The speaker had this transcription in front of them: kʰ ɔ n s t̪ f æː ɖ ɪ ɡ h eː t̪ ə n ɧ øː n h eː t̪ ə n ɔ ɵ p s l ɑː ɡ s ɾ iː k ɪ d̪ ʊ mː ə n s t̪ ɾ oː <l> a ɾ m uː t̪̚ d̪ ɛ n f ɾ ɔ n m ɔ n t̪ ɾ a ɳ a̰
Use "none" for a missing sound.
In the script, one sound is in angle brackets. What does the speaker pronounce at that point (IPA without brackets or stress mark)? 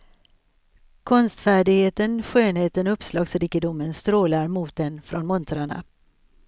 l